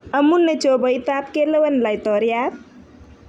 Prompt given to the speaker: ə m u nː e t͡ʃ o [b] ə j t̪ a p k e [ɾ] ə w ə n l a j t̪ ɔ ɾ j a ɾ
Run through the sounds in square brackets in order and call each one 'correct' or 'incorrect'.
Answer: correct, incorrect: l

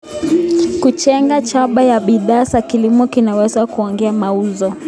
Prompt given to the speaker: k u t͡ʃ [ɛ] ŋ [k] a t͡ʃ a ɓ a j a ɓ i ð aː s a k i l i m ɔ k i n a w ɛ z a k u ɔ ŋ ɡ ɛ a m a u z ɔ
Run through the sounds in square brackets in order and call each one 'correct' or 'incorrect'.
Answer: correct, incorrect: ɡ

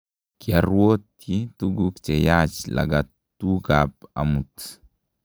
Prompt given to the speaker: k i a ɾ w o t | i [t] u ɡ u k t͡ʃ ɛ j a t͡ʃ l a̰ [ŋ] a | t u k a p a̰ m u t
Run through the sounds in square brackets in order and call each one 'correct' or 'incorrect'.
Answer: correct, incorrect: ɡ

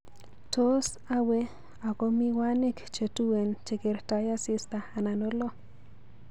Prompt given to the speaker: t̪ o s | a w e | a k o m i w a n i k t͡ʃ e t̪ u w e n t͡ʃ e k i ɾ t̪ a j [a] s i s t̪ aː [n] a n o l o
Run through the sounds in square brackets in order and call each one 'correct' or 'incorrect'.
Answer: correct, correct

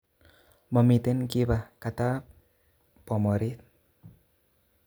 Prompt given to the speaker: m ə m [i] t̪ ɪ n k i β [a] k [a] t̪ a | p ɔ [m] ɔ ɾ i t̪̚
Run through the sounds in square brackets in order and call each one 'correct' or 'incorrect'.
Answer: correct, correct, correct, correct

